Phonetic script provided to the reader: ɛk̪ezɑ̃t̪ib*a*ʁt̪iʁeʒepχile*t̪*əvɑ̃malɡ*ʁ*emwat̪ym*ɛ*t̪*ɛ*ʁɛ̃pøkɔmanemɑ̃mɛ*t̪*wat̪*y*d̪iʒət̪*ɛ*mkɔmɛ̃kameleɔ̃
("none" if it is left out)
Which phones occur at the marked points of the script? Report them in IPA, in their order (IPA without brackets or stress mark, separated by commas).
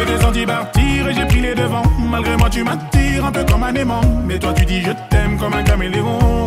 a, d̪, ʁ, a, i, t̪, y, ɛ